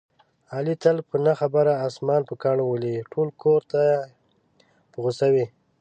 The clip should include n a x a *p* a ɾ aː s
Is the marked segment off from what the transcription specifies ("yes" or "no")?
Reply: yes